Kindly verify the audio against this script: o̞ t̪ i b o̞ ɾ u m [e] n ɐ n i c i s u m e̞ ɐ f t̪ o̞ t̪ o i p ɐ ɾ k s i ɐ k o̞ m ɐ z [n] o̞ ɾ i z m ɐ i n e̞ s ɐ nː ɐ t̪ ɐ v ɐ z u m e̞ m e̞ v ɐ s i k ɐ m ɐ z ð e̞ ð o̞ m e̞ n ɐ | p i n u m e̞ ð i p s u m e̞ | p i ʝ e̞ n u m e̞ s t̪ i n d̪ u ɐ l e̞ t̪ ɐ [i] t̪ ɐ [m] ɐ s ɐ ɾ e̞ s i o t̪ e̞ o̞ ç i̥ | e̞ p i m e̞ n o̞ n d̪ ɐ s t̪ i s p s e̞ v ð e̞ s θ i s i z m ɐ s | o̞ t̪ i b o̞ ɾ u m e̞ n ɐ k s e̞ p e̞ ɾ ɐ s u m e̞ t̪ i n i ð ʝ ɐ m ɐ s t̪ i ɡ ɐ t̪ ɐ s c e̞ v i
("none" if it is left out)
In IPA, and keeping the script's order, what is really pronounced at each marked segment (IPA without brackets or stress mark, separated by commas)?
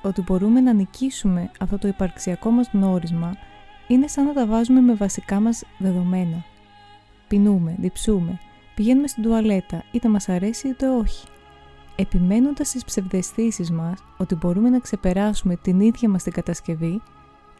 e, n, i, m